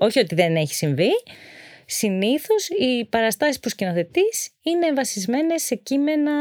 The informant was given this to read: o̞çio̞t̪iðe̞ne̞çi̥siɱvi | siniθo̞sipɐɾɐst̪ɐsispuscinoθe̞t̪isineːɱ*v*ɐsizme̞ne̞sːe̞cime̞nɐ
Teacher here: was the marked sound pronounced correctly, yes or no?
yes